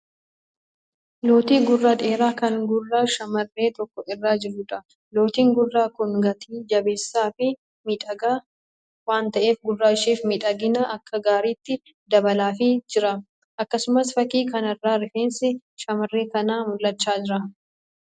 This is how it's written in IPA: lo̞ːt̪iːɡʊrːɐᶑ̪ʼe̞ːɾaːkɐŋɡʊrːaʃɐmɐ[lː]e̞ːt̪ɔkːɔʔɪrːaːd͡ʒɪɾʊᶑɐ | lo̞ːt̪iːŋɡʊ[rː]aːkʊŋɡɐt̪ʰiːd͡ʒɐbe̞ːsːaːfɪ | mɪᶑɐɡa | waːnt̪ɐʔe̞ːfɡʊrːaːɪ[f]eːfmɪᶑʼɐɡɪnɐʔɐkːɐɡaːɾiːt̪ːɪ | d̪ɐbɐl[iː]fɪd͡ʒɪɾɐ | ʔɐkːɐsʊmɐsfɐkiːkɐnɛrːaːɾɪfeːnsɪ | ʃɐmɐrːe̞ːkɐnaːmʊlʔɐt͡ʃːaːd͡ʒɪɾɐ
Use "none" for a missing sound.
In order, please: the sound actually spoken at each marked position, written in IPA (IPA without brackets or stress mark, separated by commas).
rː, rː, ʃ, aː